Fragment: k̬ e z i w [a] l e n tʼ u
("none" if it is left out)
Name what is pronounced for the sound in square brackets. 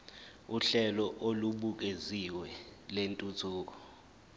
ɛ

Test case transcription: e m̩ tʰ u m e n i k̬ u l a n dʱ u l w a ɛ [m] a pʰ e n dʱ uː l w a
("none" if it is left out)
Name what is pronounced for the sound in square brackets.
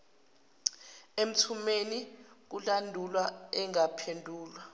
ŋ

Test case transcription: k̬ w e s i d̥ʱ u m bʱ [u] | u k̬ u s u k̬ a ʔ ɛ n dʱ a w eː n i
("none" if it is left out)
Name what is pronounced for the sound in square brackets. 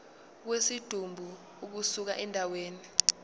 u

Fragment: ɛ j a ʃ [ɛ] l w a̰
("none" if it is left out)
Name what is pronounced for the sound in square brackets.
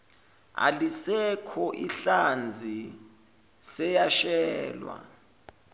ɛː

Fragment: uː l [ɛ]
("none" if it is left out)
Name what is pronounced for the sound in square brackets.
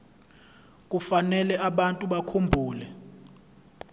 ɛ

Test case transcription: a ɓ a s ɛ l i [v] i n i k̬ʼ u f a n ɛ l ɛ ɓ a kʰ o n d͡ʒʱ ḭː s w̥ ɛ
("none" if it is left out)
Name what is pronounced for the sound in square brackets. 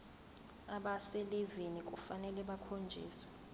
v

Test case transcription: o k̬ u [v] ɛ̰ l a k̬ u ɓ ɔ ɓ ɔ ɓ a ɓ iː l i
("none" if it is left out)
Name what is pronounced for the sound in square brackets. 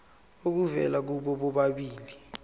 v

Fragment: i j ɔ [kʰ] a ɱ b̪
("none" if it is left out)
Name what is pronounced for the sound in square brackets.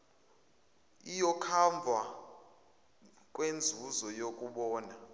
kʰ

